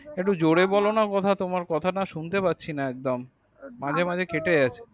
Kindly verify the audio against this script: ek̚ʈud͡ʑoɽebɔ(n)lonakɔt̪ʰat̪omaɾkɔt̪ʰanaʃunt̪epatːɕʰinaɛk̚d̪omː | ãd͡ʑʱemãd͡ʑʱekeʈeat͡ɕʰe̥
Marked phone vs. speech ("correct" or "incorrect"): incorrect